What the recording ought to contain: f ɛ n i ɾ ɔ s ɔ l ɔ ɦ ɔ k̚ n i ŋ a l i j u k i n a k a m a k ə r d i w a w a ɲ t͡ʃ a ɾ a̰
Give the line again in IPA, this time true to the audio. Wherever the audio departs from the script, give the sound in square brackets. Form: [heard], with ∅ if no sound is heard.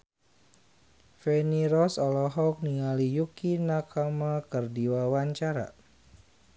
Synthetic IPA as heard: f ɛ n i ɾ ɔ s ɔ l ɔ ɦ ɔ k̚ n i ŋ a l i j u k i n a k a m a k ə r d i w a w a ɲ t͡ʃ a ɾ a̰